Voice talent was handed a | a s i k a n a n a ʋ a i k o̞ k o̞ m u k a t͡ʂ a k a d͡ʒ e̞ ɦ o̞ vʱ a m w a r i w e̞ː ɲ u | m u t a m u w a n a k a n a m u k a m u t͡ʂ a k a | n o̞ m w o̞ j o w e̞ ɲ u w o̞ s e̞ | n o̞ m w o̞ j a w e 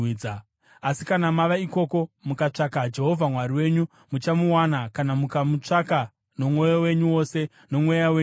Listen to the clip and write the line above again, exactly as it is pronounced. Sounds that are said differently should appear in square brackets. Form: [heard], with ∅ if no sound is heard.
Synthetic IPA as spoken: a | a s i k a n a [m] a ʋ a i k o̞ k o̞ m u k a t͡ʂ a k a d͡ʒ e̞ ɦ o̞ vʱ a m w a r i w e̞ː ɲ u | m u [t͡ʃ] a m u w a n a k a n a m u k a m u t͡ʂ a k a | n o̞ m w o̞ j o w e̞ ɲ u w o̞ s e̞ | n o̞ m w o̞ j a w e